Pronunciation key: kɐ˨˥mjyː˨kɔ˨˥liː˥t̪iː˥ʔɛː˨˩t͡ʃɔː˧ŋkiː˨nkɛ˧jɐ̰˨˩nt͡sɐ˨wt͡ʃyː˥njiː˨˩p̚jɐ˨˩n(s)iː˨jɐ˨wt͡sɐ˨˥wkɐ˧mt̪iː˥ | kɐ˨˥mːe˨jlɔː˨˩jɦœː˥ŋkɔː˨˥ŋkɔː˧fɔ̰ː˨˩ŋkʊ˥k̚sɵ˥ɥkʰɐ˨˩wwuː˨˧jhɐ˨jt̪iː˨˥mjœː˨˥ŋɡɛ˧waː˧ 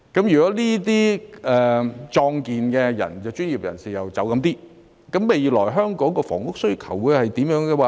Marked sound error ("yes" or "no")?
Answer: no